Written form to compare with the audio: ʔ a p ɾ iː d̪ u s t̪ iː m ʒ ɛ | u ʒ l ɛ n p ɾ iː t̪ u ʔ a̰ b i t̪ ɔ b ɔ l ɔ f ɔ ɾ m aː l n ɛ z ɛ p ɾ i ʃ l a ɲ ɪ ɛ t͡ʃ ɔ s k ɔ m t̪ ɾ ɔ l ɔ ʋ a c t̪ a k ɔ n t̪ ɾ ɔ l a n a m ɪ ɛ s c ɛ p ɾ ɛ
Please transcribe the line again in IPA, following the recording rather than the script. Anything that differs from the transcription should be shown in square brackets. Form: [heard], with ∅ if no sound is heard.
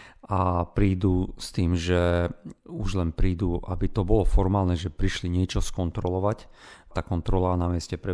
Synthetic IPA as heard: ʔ a p ɾ iː d̪ u s t̪ iː m ʒ ɛ | u ʒ l ɛ n p ɾ iː [d̪] u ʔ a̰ b i t̪ ɔ b ɔ l ɔ f ɔ ɾ m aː l n ɛ [ʒ] ɛ p ɾ i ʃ l [i] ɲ ɪ ɛ t͡ʃ ɔ s k ɔ [n] t̪ ɾ ɔ l ɔ ʋ a c t̪ a k ɔ n t̪ ɾ ɔ l a n a m ɪ ɛ s c ɛ p ɾ ɛ